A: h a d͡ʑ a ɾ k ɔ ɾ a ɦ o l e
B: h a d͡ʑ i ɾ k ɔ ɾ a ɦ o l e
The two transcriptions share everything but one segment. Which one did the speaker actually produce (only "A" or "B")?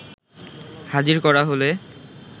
B